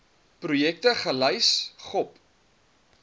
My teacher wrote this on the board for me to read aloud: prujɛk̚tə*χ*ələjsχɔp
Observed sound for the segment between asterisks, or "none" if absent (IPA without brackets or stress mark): χ